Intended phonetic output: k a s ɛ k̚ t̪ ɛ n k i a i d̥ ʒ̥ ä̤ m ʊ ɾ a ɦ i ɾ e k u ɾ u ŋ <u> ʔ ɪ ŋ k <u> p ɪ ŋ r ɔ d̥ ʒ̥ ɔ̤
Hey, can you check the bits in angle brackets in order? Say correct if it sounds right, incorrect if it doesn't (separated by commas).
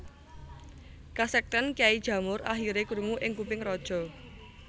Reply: correct, correct